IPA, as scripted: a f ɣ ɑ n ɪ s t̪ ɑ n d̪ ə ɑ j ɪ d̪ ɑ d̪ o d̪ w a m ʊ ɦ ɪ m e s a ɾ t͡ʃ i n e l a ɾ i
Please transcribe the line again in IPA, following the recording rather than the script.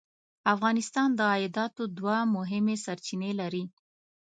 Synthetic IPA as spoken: a f ɣ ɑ n ɪ s t̪ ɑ n d̪ ə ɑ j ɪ d̪ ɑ t̪ o d̪ w a m ʊ ɦ ɪ m e s a ɾ t͡ʃ i n e l a ɾ i